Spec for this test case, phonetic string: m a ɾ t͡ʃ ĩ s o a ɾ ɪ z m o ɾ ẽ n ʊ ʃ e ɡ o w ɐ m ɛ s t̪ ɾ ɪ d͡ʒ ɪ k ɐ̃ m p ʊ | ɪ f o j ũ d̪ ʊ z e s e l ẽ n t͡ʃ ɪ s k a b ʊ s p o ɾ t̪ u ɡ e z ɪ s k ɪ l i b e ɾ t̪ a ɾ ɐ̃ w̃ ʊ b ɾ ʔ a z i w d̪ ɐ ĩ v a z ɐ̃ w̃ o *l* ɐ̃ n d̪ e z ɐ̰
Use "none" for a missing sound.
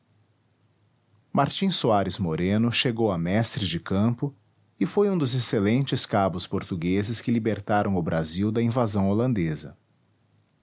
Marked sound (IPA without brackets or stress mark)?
l